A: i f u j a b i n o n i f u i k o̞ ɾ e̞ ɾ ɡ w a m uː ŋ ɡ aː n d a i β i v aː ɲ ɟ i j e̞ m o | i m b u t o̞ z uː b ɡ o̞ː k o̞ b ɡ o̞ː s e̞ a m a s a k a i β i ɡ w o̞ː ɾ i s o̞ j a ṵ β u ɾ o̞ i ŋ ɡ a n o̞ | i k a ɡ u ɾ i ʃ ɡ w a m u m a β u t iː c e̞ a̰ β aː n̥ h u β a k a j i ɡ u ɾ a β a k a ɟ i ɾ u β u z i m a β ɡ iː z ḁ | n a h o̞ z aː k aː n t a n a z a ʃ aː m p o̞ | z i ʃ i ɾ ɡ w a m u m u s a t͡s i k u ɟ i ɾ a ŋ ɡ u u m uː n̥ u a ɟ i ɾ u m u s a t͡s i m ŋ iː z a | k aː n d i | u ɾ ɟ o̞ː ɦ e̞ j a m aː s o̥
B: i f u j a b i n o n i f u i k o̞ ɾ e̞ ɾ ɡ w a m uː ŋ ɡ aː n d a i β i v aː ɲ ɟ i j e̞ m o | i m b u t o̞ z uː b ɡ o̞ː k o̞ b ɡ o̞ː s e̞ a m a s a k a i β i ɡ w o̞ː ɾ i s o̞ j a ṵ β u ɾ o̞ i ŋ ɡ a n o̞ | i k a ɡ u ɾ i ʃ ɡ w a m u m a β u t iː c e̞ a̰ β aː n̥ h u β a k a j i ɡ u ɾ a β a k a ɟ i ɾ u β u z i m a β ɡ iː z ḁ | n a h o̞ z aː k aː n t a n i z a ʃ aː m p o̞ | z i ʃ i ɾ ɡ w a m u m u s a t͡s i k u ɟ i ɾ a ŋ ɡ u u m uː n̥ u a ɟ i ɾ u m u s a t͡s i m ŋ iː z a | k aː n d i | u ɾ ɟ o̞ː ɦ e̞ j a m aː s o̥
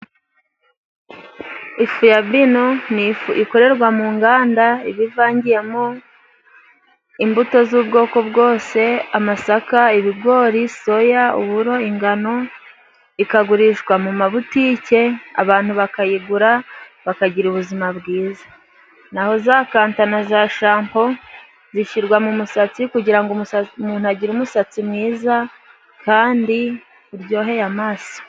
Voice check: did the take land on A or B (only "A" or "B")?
A